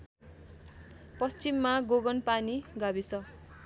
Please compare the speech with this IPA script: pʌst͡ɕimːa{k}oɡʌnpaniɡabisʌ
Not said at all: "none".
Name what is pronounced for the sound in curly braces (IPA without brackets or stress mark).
ɡ